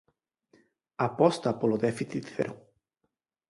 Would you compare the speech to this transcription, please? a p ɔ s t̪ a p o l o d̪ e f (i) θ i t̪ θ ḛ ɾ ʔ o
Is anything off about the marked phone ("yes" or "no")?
no